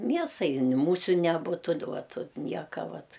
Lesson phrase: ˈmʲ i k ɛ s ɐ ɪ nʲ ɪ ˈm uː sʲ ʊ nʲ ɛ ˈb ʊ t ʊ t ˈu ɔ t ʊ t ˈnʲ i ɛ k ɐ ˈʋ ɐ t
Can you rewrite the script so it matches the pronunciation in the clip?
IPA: ˈmʲ i ɛ s ɐ ɪ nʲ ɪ ˈm uː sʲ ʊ nʲ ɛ ˈb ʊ t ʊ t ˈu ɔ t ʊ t ˈnʲ i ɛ k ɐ ˈʋ ɐ t